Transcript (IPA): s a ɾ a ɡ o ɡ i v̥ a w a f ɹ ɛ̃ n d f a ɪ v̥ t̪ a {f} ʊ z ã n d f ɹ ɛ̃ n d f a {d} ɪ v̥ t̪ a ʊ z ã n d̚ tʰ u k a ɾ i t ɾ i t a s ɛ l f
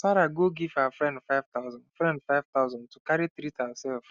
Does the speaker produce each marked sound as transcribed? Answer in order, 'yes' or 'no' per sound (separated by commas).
no, no